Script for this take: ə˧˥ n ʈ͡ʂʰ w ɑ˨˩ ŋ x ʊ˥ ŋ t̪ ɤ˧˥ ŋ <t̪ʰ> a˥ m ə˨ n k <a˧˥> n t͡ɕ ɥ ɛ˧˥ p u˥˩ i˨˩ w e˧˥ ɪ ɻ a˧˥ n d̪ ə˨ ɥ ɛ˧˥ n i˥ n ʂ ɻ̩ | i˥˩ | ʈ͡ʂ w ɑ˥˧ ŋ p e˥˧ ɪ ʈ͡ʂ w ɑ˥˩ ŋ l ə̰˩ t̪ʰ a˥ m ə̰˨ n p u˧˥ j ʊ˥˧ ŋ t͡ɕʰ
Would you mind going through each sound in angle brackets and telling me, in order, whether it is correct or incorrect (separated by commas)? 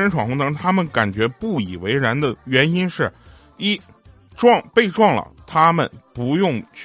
correct, incorrect